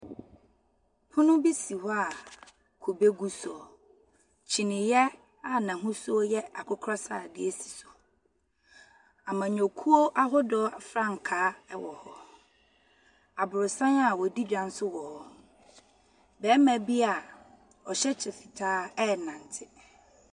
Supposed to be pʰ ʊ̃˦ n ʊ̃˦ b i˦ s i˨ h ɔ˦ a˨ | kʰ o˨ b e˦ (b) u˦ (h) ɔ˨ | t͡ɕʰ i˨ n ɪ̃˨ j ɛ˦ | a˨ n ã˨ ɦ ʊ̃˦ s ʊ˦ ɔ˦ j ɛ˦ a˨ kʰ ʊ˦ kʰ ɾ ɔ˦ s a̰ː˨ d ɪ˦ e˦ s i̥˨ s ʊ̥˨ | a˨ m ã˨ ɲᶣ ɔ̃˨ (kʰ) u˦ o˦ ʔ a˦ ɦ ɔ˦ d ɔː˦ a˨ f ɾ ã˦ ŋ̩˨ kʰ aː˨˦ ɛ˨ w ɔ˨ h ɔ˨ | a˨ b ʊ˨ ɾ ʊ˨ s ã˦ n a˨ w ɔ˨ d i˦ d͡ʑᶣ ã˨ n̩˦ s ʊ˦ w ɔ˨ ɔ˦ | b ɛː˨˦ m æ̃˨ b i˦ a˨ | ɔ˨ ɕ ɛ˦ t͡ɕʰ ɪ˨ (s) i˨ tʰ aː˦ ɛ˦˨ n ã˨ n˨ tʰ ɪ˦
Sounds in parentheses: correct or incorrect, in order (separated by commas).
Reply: incorrect, incorrect, correct, incorrect